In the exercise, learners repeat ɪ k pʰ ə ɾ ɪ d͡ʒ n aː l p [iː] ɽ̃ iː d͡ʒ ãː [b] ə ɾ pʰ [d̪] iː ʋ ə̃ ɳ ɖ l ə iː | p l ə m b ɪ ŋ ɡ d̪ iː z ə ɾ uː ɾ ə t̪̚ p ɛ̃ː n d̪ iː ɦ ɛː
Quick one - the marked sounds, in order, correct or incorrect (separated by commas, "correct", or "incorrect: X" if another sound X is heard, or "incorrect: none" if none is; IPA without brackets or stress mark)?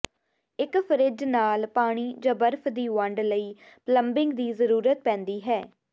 incorrect: aː, correct, correct